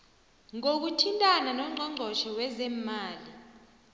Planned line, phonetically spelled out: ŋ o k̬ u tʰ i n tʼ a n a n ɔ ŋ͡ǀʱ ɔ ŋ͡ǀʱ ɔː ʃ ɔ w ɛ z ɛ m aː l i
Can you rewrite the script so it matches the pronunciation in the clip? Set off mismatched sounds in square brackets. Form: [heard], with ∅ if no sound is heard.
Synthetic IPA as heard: ŋ o k̬ u tʰ i n tʼ a n a n ɔ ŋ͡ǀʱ ɔ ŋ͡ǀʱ [ɔ] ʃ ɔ w ɛ z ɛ m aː l i